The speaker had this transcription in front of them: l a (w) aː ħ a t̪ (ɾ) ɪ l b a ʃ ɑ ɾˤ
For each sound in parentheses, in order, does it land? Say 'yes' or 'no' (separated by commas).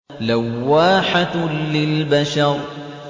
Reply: no, no